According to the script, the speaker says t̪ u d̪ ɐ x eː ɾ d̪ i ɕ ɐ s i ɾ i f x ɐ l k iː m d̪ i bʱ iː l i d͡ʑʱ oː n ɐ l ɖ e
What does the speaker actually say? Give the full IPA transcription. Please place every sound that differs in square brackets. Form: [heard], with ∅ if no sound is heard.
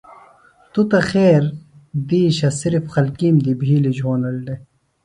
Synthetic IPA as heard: t̪ u [t̪] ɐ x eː ɾ d̪ [iː] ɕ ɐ s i ɾ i f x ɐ l k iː m d̪ i bʱ iː l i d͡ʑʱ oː n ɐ l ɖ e

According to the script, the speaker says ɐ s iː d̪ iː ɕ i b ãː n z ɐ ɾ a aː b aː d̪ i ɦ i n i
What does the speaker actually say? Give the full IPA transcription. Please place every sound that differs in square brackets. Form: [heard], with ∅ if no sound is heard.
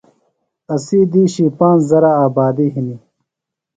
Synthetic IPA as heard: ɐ s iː d̪ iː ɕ i [p] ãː n z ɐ ɾ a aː b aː d̪ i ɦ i n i

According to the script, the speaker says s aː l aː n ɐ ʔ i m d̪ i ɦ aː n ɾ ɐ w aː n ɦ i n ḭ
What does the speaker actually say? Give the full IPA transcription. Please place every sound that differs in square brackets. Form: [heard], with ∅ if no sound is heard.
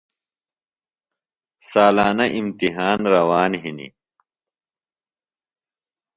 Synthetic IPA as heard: s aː l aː n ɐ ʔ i m [t̪] i ɦ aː n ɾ ɐ w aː n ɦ i n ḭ

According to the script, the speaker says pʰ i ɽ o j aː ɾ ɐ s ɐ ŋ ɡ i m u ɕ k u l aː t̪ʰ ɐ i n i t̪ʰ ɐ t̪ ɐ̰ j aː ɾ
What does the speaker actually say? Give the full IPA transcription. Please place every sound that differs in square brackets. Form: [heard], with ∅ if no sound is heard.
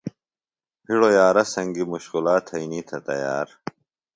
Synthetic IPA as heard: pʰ i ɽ o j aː ɾ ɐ s ɐ ŋ ɡ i m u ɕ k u l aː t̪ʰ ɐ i n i t̪ʰ ɐ t̪ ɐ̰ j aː ɾ

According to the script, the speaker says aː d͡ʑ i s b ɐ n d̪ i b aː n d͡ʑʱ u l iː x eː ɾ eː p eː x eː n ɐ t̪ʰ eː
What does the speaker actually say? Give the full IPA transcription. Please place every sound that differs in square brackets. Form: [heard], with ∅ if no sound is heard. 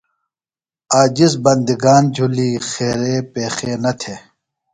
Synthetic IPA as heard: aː d͡ʑ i s b ɐ n d̪ i [ɡ] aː n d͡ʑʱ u l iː x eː ɾ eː p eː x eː n ɐ t̪ʰ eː

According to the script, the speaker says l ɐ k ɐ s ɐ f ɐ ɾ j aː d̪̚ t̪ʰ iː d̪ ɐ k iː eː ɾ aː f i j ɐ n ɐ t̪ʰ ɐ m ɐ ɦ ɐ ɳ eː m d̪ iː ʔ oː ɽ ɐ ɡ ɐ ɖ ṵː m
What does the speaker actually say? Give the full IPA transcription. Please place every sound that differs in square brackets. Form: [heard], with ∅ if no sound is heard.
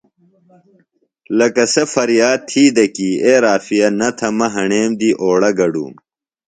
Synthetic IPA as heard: l ɐ k ɐ s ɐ f ɐ ɾ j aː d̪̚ t̪ʰ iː d̪ ɐ k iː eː ɾ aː f i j ɐ n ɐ t̪ʰ ɐ m ɐ ɦ ɐ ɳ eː m d̪ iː ʔ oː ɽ ɐ ɡ ɐ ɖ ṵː m

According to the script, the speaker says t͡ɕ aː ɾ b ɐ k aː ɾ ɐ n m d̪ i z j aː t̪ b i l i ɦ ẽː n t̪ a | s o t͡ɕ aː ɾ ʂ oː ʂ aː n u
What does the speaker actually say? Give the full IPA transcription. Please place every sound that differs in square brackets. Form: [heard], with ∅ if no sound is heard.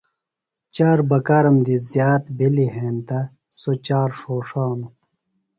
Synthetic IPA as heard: t͡ɕ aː ɾ b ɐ k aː ɾ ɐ [∅] m d̪ i z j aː t̪ b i l i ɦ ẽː n t̪ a | s o t͡ɕ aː ɾ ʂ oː ʂ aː n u

